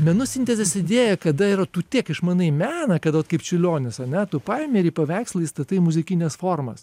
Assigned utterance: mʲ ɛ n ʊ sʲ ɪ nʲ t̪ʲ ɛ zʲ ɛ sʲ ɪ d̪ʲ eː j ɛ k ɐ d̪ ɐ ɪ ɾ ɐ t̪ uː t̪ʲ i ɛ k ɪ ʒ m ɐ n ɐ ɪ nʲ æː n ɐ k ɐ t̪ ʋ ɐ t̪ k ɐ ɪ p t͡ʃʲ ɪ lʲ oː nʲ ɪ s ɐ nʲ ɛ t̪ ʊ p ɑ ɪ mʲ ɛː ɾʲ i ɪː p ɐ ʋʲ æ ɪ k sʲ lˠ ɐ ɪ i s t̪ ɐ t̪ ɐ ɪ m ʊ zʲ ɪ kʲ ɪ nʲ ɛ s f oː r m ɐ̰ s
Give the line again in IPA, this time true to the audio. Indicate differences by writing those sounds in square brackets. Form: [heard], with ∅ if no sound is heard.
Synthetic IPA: mʲ ɛ n ʊ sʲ ɪ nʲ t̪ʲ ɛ zʲ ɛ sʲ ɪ d̪ʲ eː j ɛ k ɐ d̪ ɐ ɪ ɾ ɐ t̪ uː t̪ʲ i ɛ k ɪ [ʃ] m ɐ n ɐ ɪ [mʲ] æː n ɐ k ɐ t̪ ʋ ɐ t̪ k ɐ ɪ p t͡ʃʲ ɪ lʲ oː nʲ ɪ s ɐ nʲ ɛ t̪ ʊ p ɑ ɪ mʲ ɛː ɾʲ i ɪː p ɐ ʋʲ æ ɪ k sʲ lˠ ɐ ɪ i s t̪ ɐ t̪ ɐ ɪ m ʊ zʲ ɪ kʲ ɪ nʲ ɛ s f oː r m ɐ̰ s